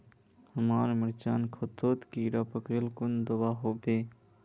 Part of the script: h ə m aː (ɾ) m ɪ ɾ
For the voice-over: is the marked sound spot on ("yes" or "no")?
yes